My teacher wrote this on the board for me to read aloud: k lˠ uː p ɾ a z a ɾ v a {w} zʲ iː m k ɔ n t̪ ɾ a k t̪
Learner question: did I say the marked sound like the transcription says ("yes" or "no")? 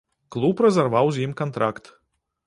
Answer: yes